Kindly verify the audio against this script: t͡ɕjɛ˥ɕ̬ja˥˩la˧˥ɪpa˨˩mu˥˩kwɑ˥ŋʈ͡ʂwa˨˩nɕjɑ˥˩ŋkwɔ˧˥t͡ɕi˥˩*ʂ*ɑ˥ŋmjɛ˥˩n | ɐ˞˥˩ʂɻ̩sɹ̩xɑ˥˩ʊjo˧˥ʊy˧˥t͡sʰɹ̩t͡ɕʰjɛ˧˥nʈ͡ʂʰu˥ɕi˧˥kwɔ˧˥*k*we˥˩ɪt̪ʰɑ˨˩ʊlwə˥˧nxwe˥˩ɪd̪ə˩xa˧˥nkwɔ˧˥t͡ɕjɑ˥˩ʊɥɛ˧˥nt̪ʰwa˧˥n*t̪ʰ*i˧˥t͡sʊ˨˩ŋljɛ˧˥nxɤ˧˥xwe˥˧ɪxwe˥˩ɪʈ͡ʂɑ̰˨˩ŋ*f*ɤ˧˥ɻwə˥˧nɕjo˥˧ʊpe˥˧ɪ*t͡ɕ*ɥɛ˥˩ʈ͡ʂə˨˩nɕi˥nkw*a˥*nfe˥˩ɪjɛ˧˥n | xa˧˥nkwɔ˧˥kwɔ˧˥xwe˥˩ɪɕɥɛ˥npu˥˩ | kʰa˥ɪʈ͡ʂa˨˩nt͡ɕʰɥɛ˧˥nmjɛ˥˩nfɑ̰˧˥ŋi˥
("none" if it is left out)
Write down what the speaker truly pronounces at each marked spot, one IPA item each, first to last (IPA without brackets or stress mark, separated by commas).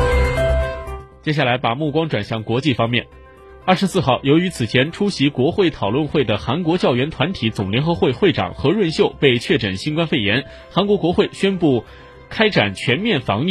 f, x, t̪ʰ, x, t͡ɕʰ, a˥